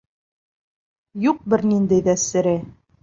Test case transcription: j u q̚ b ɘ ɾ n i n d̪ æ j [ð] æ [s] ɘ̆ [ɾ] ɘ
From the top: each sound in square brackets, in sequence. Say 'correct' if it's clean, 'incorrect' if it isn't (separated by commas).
correct, correct, correct